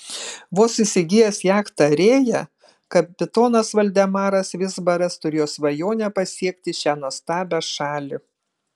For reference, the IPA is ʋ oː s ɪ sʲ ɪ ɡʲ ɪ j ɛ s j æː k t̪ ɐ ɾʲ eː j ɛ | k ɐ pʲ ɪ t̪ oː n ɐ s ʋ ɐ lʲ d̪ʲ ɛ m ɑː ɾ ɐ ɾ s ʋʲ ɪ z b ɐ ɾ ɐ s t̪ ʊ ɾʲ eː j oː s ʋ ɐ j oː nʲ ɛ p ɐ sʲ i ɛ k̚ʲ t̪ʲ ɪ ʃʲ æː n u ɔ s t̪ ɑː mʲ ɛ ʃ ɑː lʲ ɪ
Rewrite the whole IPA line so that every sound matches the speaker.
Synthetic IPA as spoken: ʋ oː s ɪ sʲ ɪ ɡʲ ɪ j ɛ s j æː k t̪ ɐ ɾʲ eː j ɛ | k ɐ pʲ ɪ t̪ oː n ɐ s ʋ ɐ lʲ d̪ʲ ɛ m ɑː ɾ ɐ s ʋʲ ɪ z b ɐ ɾ ɐ s t̪ ʊ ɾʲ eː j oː s ʋ ɐ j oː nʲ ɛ p ɐ sʲ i ɛ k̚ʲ t̪ʲ ɪ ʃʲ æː n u ɔ s t̪ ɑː bʲ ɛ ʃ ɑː lʲ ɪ